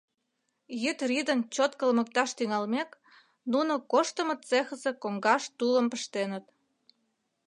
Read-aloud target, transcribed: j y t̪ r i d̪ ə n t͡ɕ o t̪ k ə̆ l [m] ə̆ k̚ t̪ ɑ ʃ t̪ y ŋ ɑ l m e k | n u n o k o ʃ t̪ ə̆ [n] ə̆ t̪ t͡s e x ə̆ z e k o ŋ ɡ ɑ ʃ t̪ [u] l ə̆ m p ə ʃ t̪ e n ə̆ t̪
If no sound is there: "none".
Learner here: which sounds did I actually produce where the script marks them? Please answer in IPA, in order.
m, m, u

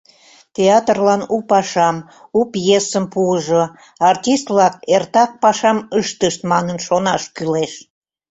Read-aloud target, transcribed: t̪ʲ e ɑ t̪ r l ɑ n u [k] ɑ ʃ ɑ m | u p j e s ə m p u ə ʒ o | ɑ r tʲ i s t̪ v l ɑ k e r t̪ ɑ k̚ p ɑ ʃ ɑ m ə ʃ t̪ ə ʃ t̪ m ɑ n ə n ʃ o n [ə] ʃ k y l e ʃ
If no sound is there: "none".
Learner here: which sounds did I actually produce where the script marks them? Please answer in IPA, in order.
p, ɑ

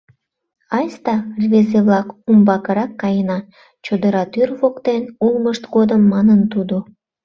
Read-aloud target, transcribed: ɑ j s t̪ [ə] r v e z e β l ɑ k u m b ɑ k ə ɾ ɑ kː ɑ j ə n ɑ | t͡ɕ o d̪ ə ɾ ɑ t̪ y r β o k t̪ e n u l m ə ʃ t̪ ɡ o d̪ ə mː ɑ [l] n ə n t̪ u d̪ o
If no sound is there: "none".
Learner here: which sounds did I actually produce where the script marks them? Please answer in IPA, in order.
ɑ, none

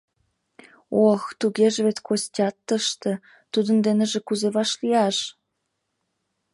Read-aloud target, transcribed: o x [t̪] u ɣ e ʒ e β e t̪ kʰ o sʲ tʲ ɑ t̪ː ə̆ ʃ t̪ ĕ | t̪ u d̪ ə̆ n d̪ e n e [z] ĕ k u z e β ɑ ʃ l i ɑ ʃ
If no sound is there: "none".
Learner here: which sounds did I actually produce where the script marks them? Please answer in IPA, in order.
t̪, ʒ

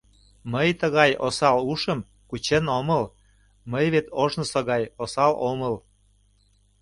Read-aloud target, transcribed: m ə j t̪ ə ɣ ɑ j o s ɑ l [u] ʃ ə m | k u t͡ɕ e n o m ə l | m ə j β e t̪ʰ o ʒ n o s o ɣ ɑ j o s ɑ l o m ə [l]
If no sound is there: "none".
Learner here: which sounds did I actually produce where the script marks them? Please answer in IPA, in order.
u, l

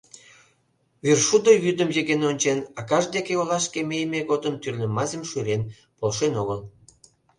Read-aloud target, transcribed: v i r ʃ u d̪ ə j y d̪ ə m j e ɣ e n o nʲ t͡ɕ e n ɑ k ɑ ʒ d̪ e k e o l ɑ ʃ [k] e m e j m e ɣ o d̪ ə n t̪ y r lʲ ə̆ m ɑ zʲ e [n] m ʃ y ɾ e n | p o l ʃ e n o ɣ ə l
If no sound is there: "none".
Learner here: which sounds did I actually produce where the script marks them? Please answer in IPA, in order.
k, none

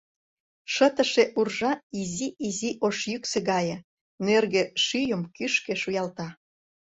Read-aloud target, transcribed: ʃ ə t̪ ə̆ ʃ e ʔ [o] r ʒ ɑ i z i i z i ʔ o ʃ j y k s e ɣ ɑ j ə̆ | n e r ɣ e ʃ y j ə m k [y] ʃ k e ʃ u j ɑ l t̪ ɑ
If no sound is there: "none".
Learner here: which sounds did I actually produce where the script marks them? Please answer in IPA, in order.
u, y

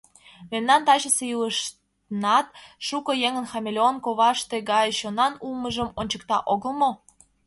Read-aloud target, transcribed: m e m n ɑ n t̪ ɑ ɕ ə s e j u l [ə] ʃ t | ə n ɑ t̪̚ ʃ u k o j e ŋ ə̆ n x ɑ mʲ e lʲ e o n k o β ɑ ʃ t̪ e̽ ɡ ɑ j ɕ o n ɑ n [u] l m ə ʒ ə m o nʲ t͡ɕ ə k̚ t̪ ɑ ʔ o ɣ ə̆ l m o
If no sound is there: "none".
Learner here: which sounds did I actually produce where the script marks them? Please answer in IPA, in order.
ə, u

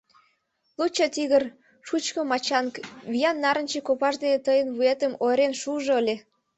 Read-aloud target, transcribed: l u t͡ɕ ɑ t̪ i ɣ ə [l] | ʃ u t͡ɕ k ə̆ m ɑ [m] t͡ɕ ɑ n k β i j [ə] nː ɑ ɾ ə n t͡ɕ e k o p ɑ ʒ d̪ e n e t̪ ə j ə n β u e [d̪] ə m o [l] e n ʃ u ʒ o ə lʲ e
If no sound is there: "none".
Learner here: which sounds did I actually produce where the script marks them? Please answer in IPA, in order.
r, none, ɑ, t̪, ɾ

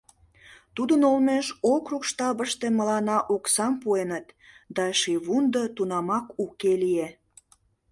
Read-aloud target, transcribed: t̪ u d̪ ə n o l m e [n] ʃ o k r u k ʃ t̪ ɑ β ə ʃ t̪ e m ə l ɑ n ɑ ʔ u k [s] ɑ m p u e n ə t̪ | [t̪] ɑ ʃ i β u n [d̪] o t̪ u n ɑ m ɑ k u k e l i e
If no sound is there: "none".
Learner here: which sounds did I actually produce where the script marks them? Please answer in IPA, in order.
none, s, d̪, d̪

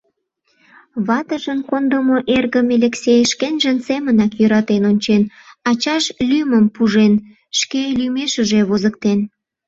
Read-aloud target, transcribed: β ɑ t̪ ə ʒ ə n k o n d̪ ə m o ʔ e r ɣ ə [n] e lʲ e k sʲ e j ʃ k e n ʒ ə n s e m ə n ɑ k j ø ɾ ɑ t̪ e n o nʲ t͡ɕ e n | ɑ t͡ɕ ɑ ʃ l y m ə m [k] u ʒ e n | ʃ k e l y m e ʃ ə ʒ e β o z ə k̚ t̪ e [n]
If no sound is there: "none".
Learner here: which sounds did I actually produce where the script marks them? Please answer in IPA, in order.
m, p, n

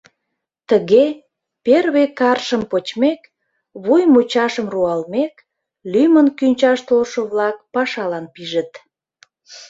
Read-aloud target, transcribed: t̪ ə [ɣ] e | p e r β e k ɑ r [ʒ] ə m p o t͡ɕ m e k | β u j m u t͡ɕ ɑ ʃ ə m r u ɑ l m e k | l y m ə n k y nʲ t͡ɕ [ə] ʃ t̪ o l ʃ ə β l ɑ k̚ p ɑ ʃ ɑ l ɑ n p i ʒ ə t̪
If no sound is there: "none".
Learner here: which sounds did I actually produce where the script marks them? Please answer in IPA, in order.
ɣ, ʃ, ɑ

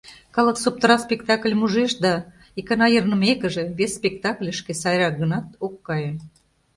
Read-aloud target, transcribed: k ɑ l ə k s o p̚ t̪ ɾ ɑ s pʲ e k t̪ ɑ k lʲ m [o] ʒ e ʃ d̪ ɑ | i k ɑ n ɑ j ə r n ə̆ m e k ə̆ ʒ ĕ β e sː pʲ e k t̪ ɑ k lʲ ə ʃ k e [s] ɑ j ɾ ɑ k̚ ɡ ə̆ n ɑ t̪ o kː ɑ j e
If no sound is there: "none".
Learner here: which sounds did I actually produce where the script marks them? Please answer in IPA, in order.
u, s

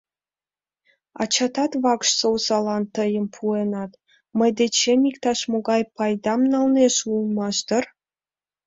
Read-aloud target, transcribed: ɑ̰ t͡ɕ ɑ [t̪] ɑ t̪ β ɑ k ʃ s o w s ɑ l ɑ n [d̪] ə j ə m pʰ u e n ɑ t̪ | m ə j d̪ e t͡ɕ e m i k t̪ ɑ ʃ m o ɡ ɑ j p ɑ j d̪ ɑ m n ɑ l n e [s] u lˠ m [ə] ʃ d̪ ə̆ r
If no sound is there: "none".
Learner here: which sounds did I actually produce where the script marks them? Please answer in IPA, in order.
t̪, t̪, ʃ, ɑ

